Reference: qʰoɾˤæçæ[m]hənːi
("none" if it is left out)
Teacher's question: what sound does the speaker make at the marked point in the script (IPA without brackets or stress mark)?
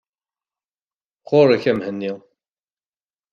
m